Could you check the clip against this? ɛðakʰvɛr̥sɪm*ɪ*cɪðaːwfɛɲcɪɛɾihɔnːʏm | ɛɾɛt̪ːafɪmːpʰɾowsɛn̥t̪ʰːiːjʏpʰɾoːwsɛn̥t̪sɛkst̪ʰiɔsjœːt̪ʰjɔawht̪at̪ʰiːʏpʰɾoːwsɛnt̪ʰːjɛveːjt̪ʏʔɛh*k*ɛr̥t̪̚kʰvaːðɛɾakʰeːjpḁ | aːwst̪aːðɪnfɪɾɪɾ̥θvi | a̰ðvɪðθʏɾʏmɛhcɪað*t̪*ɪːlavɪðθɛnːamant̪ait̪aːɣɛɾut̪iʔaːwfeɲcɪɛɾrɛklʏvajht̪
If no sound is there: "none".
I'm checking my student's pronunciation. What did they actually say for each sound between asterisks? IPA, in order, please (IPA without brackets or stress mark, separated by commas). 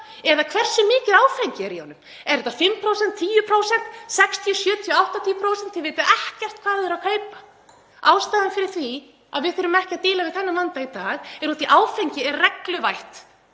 ɪː, c, t̪